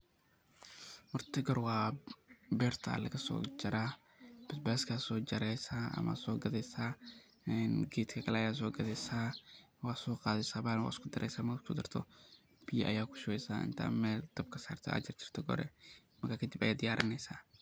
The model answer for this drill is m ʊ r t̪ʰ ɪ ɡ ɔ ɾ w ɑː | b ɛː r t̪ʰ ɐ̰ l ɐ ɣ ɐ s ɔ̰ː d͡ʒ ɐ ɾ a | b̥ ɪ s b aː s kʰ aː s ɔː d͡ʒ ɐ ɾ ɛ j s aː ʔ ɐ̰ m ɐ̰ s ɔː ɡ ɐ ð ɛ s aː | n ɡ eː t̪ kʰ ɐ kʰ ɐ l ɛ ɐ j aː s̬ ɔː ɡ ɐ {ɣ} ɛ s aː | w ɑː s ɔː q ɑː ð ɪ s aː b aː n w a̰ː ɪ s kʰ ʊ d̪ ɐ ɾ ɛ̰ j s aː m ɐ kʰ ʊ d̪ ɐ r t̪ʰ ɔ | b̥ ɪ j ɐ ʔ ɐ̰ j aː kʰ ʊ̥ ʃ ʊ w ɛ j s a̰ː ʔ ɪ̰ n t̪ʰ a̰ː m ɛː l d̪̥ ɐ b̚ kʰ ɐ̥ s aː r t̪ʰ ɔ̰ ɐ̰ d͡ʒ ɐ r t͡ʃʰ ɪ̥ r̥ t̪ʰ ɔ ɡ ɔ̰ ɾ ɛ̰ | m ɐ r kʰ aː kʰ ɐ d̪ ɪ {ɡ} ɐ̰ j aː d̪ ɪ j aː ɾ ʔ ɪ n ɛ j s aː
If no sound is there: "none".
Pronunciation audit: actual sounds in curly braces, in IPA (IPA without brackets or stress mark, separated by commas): ð, b